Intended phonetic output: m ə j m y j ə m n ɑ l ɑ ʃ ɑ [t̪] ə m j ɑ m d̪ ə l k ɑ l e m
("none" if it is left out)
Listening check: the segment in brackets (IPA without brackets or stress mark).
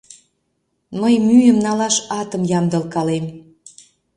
t̪